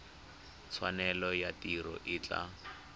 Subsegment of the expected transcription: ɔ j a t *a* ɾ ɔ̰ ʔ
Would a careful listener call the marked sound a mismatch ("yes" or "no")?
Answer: yes